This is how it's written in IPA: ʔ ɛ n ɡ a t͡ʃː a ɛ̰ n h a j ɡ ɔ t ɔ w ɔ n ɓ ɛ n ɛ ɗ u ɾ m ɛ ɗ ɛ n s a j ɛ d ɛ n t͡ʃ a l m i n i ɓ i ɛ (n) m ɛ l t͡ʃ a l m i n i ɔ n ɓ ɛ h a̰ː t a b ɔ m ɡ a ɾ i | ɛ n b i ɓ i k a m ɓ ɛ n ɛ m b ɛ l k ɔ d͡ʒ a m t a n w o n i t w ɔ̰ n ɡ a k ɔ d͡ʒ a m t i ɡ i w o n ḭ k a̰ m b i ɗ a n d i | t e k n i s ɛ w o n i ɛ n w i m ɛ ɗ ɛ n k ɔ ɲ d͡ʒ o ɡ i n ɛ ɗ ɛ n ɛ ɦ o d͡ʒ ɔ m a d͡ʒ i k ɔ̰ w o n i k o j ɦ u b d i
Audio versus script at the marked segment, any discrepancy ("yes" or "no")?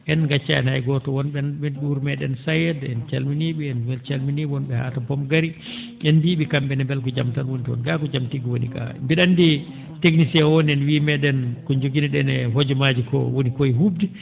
no